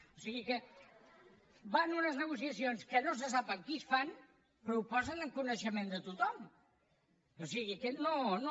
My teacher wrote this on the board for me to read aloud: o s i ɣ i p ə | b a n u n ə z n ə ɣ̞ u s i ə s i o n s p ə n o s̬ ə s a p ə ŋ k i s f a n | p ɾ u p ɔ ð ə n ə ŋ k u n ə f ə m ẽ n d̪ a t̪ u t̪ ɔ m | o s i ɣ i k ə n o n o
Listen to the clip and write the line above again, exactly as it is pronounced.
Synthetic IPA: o s i ɣ i k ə | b a n u n ə z n ə ɣ̞ u s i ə s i o n s k ə n o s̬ ə s a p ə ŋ k i s f a n | p ɾ u p ɔ z ə n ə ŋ k u n ə ʃ ə m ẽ n d̪ ə t̪ u t̪ ɔ m | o s i ɣ i k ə n o n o